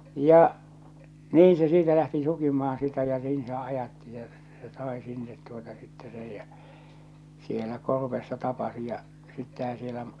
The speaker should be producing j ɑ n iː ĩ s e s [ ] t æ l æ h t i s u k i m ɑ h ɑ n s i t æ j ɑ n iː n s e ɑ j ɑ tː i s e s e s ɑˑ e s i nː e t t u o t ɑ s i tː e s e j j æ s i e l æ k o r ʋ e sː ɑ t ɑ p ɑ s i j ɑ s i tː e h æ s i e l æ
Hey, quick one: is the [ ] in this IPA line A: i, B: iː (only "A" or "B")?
B